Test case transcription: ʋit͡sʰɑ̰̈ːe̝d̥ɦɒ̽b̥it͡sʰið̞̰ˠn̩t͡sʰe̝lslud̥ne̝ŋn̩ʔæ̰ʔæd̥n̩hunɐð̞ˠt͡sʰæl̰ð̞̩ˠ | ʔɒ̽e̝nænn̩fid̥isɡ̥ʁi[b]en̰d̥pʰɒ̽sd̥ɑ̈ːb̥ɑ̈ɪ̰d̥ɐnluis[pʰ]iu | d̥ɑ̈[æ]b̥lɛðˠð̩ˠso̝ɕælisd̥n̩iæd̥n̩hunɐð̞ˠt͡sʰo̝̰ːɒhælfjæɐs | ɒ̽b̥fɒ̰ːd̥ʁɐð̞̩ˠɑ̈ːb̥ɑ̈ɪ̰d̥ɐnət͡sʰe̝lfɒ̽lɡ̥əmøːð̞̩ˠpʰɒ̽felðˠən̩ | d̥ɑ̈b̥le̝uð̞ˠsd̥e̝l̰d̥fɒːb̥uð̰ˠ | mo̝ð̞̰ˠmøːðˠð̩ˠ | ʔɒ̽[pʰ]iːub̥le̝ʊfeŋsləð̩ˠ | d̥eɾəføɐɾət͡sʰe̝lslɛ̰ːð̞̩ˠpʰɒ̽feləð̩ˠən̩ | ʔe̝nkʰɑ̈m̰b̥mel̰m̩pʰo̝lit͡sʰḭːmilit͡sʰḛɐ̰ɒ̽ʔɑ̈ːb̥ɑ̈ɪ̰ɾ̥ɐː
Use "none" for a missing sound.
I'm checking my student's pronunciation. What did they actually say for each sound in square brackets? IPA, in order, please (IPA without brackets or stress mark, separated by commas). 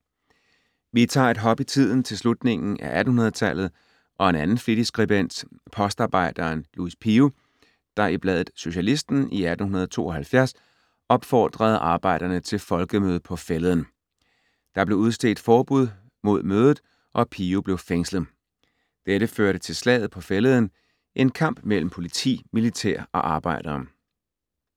b, pʰ, i, pʰ